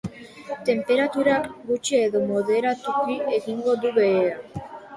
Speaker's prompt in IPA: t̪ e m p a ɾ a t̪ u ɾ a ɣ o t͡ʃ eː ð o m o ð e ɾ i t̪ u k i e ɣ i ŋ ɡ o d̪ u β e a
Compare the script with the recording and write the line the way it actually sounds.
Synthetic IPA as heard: t̪ e m p e ɾ a t̪ u ɾ a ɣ u t͡ʃ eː ð o m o ð e ɾ a t̪ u k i e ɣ i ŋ ɡ o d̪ u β e a